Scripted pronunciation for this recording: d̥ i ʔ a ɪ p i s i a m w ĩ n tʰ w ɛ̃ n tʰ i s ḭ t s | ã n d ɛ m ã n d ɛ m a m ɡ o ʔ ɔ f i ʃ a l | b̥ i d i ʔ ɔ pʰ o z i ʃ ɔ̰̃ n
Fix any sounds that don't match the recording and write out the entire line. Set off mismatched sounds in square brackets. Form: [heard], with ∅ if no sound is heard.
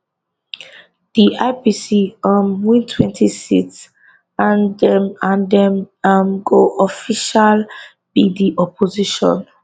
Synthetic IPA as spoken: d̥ i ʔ a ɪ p i s i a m w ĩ n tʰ w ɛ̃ n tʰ i s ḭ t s | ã n d ɛ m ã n d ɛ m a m ɡ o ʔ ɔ f i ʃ a l | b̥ i d i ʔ ɔ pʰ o z i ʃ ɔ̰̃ n